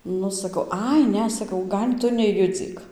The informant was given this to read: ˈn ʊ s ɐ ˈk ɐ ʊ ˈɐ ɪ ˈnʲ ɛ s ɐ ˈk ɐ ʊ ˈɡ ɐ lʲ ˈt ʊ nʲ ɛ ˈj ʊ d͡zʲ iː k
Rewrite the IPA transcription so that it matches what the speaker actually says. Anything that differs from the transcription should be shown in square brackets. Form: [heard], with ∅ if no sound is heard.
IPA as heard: ˈn ʊ s ɐ ˈk ɐ ʊ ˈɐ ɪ ˈnʲ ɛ s ɐ ˈk ɐ ʊ ˈɡ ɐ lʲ ˈt ʊ nʲ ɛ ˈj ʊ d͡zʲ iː k